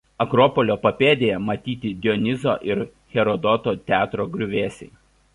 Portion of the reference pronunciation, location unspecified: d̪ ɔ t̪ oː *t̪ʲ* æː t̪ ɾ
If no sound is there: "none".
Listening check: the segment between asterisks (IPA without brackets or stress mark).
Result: t̪ʲ